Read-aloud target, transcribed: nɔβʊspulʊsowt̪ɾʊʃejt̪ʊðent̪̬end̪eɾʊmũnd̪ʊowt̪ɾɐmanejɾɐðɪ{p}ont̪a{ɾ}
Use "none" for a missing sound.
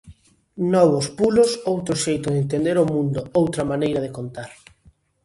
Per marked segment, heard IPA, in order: k, ɾ

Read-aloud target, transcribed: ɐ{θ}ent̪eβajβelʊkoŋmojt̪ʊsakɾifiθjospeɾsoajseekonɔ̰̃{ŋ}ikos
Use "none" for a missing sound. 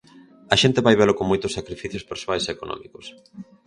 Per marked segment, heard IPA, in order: ʃ, m

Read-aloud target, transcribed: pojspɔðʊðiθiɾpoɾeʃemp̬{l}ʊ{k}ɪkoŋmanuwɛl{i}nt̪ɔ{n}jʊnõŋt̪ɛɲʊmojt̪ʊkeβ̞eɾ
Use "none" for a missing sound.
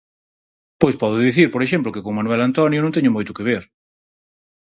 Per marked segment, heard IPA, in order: l, k, a, n

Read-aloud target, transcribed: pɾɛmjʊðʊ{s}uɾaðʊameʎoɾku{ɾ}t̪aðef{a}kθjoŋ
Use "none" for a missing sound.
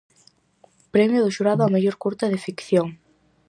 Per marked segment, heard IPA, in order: ʃ, ɾ, i

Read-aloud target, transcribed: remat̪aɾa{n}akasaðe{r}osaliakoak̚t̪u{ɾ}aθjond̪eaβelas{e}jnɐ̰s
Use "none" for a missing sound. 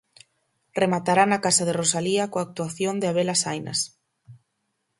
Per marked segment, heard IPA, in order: n, r, none, a

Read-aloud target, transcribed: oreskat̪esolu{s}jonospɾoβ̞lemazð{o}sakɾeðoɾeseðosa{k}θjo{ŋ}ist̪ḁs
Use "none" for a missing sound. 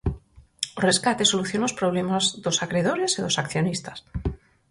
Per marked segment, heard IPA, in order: θ, o, k, n

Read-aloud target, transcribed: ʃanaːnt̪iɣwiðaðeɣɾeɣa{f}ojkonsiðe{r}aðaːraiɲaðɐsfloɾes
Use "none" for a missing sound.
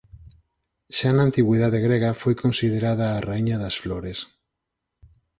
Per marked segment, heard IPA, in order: f, ɾ

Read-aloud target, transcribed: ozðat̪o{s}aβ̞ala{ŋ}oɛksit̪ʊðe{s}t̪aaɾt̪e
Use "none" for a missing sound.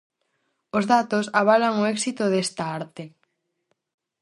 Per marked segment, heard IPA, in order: s, ŋ, s

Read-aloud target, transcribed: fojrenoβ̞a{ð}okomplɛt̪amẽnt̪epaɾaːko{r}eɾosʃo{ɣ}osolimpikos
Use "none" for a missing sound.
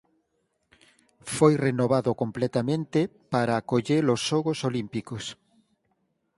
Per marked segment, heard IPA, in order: ð, ʎ, ɣ

